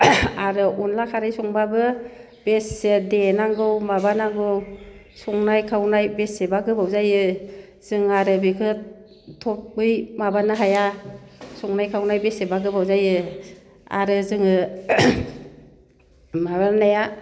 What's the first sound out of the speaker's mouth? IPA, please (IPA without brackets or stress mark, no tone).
a